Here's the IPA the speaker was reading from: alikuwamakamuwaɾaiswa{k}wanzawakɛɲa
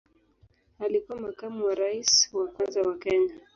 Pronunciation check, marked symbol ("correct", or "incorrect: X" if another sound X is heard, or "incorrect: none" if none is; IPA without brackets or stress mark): correct